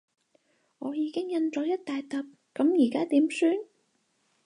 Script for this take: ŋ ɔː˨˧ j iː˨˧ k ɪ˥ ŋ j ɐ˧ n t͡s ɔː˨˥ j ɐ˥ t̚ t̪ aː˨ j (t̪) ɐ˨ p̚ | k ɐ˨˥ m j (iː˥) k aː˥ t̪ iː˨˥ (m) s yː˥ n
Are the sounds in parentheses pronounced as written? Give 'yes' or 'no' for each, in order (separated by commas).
yes, no, yes